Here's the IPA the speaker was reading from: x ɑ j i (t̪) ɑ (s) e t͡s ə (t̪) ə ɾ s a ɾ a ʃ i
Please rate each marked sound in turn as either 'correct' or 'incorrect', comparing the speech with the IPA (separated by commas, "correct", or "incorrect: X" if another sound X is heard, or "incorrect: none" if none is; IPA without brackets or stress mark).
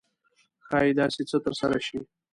incorrect: d̪, correct, correct